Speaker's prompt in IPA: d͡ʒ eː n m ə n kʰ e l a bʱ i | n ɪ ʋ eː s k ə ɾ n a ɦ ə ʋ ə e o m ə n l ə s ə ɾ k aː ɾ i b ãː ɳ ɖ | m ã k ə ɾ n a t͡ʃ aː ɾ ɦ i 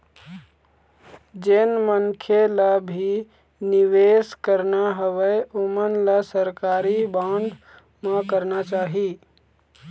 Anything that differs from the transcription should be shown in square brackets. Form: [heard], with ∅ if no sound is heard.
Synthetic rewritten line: d͡ʒ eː n m ə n kʰ e l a bʱ i | n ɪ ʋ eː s k ə ɾ n a ɦ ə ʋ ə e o m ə n l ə s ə ɾ k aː ɾ i b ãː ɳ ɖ | m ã k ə ɾ n a t͡ʃ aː [∅] ɦ i